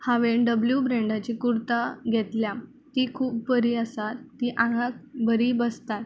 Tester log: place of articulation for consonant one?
glottal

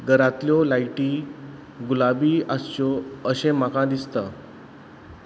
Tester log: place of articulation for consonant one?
velar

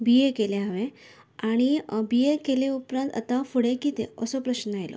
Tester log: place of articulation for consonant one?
labial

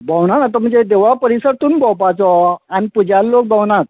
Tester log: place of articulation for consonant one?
labial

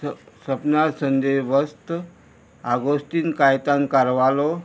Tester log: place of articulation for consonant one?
alveolar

